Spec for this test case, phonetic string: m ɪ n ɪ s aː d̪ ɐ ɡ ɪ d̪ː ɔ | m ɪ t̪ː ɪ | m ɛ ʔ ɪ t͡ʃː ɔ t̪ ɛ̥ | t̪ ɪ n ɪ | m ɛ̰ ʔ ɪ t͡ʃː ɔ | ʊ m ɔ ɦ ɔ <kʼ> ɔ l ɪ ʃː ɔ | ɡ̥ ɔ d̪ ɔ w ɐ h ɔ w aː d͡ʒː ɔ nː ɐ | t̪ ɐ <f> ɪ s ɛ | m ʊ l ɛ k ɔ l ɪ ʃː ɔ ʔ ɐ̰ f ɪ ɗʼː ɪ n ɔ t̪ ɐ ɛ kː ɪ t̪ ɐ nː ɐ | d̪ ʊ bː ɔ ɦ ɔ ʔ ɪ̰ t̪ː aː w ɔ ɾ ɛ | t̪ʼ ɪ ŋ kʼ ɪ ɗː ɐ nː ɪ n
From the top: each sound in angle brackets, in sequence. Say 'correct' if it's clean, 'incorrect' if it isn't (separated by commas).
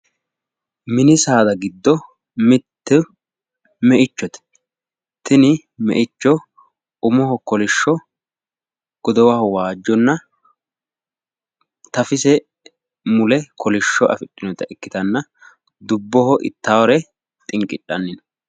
incorrect, correct